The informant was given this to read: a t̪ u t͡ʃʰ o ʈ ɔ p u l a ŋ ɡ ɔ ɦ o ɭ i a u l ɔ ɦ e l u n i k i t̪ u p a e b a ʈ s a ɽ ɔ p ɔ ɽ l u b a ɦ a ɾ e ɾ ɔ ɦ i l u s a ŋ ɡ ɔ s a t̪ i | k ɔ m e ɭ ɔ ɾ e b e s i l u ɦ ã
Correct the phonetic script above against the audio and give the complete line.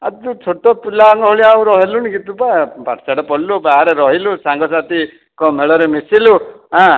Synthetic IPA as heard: a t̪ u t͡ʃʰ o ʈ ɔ p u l a ŋ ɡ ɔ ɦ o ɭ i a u ɾ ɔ ɦ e l u n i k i t̪ u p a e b a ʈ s a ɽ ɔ p ɔ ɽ l u b a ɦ a ɾ e ɾ ɔ ɦ i l u s a ŋ ɡ ɔ s a t̪ i | k ɔ m e ɭ ɔ ɾ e m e s i l u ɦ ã